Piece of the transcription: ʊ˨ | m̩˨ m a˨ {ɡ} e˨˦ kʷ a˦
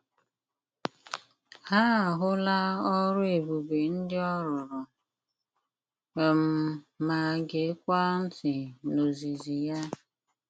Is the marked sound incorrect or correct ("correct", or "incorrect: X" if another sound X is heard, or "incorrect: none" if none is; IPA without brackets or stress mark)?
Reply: correct